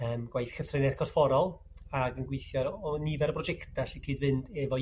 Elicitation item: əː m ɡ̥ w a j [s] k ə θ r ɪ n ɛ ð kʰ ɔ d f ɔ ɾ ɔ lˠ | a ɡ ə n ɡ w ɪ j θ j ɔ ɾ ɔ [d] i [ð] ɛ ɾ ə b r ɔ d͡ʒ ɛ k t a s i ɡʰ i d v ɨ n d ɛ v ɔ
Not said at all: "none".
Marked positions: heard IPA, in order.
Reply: θ, n, v

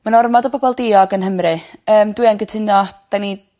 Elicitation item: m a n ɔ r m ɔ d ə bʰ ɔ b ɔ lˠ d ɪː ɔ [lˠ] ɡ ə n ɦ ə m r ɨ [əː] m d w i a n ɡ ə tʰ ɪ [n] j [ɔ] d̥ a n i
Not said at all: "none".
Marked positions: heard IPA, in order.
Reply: none, əː, n, ɔ

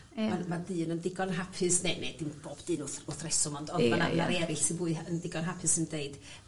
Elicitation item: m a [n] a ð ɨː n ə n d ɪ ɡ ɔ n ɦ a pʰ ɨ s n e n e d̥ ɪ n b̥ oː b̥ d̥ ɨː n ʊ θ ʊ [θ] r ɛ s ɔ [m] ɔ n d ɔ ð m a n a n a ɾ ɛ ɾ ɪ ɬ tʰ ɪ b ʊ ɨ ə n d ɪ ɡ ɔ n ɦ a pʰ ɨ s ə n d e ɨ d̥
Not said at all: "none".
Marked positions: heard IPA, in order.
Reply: m, θ, m

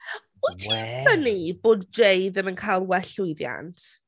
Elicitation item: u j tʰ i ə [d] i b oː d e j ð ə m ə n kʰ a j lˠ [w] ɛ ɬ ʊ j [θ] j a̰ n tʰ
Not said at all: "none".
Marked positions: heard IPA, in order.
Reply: n, w, ð

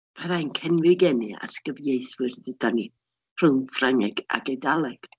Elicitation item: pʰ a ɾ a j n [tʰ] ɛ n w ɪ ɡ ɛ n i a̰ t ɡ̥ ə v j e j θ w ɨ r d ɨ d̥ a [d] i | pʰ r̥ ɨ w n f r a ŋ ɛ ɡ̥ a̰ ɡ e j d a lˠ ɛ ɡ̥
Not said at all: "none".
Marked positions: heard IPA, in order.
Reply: kʰ, n

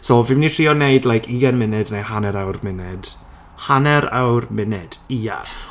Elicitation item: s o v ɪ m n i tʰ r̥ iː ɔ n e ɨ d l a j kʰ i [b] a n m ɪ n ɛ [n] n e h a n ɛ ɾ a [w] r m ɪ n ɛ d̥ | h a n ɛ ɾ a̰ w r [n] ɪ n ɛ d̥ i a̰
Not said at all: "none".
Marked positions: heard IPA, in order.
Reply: ɡ, d, w, m

